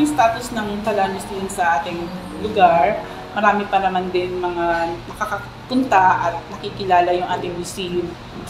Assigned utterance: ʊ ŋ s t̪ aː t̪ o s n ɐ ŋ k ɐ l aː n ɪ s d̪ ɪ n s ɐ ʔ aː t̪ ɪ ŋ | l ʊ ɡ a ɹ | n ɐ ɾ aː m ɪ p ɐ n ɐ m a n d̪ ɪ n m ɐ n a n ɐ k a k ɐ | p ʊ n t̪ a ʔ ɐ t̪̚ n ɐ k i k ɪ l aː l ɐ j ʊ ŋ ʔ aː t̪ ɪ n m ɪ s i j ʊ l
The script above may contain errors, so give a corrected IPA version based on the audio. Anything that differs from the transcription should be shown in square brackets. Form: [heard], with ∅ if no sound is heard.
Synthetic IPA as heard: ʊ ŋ s t̪ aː t̪ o s n ɐ ŋ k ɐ l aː n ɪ s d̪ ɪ n s ɐ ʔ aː t̪ ɪ ŋ | l ʊ ɡ a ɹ | [m] ɐ ɾ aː m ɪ p ɐ n ɐ m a n d̪ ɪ n m ɐ [ŋ] a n ɐ k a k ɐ | p ʊ n t̪ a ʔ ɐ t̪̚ n ɐ k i k ɪ l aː l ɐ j ʊ ŋ ʔ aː t̪ ɪ [ŋ] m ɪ s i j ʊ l